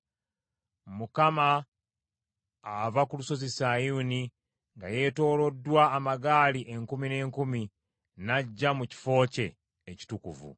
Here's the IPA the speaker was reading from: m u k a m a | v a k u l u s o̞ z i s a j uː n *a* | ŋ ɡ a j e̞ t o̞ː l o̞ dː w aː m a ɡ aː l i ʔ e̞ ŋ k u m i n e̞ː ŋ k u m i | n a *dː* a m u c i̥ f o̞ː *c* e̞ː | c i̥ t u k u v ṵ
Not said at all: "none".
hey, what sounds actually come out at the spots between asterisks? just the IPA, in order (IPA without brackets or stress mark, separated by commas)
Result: i, ɟː, c